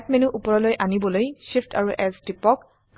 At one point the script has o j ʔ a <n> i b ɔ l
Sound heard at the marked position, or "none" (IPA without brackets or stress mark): n